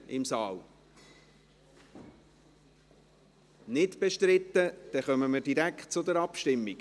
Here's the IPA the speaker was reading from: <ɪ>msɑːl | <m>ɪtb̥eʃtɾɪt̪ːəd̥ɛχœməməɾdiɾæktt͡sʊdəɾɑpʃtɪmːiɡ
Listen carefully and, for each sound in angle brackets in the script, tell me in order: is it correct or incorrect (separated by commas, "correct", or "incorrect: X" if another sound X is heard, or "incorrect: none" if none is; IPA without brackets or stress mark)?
correct, incorrect: n